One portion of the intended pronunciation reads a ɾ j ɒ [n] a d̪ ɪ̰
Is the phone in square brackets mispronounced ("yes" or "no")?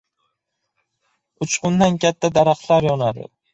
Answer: no